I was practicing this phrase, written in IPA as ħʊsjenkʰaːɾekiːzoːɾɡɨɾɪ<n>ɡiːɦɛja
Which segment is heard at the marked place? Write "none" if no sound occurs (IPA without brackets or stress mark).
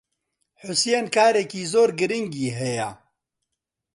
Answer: ŋ